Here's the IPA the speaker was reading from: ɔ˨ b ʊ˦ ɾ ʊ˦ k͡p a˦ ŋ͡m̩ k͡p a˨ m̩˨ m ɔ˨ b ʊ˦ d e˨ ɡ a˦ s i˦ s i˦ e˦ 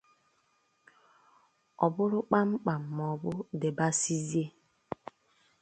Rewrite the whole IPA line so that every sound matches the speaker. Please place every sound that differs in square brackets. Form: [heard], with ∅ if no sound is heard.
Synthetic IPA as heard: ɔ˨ b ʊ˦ ɾ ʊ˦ k͡p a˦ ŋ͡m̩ k͡p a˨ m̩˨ m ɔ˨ b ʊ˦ d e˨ [b] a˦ s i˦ [z] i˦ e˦

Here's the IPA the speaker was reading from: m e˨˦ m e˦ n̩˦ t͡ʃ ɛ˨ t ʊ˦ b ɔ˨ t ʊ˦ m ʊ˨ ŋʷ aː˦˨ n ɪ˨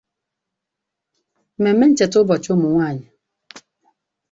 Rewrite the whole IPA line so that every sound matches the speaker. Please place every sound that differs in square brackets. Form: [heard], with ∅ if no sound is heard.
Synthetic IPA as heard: m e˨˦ m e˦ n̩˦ t͡ʃ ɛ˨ t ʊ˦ b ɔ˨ [t͡ʃ] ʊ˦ m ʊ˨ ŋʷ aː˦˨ [ɲ] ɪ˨

